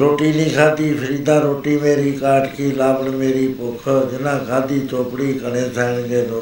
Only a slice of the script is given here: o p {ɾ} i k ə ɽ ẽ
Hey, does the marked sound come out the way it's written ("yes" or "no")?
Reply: no